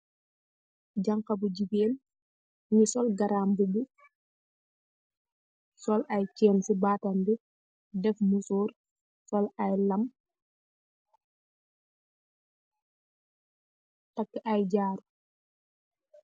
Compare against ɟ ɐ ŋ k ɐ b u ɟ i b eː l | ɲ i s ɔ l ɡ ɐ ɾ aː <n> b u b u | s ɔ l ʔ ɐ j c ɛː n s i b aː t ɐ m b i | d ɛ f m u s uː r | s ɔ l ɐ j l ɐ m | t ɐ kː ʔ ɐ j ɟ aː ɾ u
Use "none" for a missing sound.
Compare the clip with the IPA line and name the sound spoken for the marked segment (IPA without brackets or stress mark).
m